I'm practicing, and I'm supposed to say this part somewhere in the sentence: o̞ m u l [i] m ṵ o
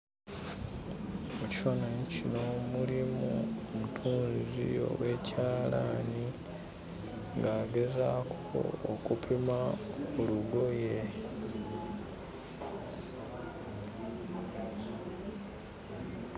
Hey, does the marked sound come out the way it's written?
yes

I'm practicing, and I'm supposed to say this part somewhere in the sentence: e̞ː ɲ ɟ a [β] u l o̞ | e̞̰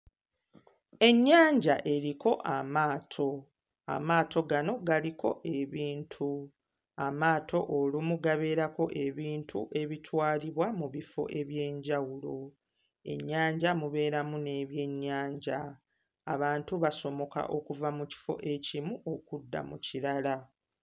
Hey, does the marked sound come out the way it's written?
no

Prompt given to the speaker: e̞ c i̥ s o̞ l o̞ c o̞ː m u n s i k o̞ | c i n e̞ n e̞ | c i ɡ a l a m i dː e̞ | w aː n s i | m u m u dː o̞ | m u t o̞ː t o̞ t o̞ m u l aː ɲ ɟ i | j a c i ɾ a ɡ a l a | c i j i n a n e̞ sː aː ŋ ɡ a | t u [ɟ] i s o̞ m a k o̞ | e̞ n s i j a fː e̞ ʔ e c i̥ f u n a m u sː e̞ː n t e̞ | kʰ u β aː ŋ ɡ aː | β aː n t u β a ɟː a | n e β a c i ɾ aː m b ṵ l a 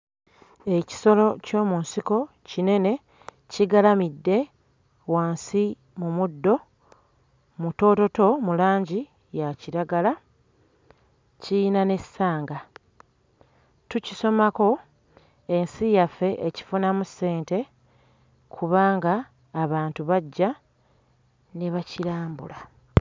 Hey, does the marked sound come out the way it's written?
no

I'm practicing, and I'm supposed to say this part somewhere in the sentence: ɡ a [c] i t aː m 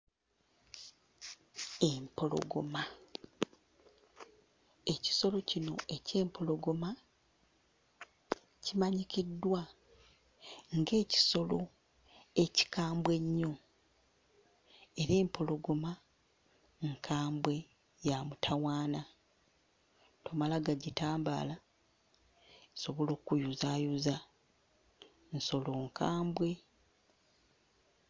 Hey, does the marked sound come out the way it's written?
no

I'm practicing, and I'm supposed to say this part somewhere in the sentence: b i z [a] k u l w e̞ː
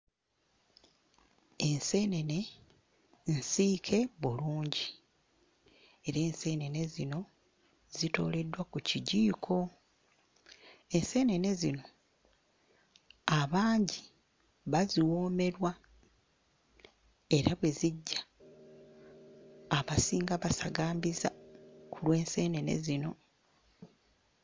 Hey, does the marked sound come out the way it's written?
yes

